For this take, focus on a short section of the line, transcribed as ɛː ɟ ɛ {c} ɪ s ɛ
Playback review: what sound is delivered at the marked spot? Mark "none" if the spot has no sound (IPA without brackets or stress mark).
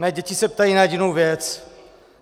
c